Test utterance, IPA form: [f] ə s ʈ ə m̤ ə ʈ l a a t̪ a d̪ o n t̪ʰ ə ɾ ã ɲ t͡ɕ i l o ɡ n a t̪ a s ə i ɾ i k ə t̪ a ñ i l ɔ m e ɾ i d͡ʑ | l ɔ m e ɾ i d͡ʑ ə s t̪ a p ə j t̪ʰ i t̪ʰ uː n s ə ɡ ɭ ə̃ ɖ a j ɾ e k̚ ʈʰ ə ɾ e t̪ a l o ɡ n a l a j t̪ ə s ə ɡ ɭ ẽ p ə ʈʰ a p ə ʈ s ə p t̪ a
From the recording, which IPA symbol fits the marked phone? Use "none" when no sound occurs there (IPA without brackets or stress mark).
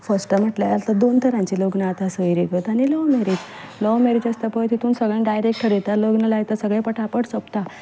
f